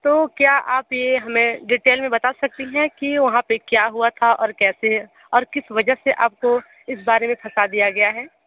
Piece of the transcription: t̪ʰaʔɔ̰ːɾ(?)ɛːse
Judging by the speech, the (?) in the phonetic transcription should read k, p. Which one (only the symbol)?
k